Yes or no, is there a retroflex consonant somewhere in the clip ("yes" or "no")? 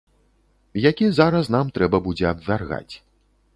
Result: no